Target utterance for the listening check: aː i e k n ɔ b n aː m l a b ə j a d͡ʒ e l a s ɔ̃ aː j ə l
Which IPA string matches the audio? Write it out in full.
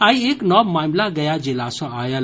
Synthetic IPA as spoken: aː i e k n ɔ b m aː m l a ɡ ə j a d͡ʒ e l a s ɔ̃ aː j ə l